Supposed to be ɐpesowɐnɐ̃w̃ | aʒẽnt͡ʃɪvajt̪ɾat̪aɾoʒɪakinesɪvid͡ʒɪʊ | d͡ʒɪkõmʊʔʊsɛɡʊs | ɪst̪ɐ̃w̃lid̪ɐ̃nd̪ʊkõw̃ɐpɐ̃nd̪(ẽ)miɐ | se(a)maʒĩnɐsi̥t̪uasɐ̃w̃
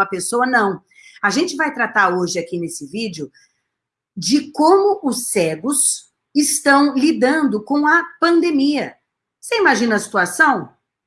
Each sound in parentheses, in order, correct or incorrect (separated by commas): incorrect, incorrect